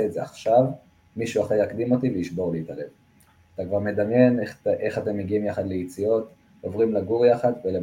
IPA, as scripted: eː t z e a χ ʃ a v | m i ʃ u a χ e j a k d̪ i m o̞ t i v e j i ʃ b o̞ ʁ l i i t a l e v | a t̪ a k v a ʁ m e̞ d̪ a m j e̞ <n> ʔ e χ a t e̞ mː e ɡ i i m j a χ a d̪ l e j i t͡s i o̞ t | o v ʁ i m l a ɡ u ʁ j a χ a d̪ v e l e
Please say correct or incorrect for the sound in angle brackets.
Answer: correct